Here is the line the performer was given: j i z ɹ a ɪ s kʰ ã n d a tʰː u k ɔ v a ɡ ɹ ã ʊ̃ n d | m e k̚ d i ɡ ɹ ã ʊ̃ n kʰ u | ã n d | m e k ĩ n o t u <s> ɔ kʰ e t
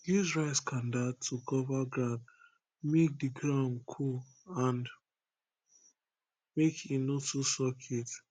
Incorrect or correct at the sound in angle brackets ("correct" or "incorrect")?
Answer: correct